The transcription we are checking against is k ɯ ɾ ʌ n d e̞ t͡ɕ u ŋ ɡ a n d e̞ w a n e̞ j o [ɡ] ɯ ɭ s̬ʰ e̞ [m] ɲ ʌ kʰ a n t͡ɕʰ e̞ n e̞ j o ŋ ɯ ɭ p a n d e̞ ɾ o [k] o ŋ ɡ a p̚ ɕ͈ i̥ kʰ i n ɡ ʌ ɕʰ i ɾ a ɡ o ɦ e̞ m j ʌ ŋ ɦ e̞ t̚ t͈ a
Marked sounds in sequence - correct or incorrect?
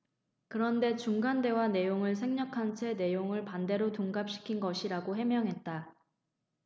incorrect: ŋ, incorrect: ŋ, incorrect: t

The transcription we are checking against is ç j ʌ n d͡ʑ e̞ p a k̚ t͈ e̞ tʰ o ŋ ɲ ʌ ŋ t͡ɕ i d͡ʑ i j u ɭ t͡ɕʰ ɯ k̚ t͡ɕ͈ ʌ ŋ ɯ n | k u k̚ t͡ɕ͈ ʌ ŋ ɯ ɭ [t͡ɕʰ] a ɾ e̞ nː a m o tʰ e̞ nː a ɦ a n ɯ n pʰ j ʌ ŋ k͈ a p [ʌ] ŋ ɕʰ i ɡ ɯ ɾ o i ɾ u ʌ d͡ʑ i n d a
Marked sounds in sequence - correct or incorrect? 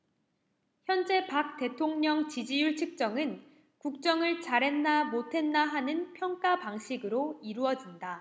incorrect: t͡ɕ, incorrect: a

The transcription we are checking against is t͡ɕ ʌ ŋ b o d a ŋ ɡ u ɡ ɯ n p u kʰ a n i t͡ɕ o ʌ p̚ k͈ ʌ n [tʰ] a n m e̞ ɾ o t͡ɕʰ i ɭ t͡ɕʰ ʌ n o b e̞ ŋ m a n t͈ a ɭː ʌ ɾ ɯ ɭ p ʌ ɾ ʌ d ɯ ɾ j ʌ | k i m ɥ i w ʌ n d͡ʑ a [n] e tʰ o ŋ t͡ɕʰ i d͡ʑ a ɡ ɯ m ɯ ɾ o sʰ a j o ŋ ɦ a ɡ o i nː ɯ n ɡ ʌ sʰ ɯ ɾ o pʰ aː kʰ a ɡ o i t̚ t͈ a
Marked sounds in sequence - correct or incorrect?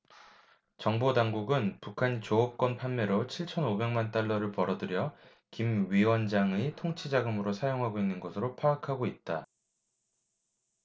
incorrect: pʰ, incorrect: ŋ

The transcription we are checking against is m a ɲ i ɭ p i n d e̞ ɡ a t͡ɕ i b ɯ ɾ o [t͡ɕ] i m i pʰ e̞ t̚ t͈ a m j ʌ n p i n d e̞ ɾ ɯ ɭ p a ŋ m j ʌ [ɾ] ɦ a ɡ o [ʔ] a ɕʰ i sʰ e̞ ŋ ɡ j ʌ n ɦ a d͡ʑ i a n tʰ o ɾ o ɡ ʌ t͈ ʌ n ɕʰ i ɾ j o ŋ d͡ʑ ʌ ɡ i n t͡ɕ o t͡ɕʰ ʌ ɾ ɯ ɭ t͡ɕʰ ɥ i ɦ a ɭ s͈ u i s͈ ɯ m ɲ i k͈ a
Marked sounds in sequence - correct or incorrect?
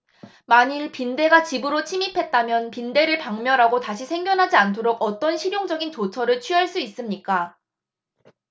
incorrect: t͡ɕʰ, correct, incorrect: t

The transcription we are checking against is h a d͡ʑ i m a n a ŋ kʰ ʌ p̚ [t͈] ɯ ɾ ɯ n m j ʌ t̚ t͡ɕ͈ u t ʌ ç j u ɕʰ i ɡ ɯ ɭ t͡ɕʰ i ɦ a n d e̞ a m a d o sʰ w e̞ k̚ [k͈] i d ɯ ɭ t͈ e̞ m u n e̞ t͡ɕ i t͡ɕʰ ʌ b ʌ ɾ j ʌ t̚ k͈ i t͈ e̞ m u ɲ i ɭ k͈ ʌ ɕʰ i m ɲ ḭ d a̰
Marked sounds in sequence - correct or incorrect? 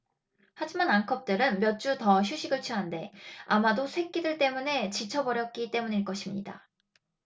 correct, correct

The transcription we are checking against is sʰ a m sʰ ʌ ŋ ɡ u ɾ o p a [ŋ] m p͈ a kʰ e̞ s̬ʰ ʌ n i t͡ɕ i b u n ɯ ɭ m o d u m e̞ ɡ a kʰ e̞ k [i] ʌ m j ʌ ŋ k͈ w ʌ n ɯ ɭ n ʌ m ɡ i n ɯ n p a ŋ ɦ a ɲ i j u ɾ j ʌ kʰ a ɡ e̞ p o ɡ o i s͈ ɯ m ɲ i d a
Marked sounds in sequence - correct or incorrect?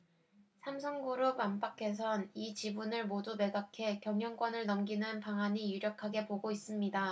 incorrect: none, incorrect: j

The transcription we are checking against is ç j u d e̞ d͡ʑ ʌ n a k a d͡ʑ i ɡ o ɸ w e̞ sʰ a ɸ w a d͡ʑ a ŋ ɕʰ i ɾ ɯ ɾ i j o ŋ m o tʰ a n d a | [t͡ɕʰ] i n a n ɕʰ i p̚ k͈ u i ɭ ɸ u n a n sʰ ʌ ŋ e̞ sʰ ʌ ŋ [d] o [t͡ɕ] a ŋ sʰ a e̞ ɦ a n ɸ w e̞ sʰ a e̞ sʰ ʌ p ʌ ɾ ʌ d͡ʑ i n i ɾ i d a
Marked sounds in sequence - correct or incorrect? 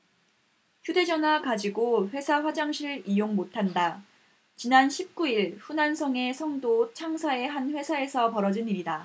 incorrect: t͡ɕ, correct, incorrect: t͡ɕʰ

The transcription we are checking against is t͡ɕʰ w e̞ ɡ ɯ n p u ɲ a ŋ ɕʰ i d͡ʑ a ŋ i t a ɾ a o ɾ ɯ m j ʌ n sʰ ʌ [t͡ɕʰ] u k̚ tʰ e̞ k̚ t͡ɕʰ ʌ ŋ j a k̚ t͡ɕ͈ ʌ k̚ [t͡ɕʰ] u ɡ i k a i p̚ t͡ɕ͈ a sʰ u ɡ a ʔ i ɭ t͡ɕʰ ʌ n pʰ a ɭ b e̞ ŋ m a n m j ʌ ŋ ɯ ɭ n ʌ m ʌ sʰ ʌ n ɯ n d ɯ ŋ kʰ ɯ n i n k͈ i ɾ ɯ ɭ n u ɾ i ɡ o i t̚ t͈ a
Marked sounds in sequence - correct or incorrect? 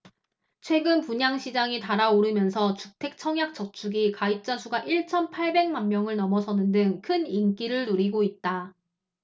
incorrect: t͡ɕ, correct

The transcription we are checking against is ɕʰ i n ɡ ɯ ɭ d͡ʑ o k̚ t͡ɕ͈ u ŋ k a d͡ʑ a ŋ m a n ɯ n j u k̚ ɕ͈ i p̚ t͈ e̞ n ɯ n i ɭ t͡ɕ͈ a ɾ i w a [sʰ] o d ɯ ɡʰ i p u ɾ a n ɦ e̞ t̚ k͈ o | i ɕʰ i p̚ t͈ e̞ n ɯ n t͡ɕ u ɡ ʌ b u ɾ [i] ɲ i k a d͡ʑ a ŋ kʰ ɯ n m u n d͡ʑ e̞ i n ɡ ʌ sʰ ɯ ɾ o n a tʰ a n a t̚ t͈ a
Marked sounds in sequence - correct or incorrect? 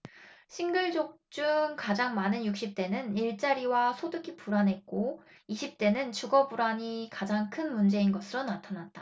correct, incorrect: a

